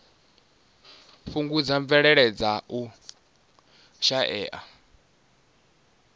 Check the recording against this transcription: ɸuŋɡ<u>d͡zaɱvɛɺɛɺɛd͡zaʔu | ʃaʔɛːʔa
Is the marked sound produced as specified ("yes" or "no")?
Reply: yes